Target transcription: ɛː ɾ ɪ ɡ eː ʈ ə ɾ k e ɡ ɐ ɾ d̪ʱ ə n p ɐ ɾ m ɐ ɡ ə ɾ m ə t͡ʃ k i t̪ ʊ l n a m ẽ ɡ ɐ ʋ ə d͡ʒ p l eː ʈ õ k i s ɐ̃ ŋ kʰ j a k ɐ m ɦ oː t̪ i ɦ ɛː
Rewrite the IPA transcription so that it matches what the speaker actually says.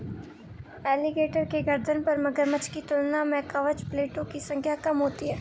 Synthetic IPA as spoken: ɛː l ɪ ɡ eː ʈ ə ɾ k e ɡ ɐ ɾ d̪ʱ ə n p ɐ ɾ m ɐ ɡ ə ɾ m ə t͡ʃ k i t̪ ʊ l n a m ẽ k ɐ ʋ ə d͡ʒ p l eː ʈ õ k i s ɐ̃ ŋ kʰ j a k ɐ m ɦ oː t̪ i ɦ ɛː